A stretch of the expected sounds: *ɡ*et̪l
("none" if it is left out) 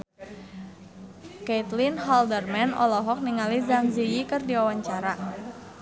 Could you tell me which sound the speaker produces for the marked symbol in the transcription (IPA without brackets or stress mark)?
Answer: k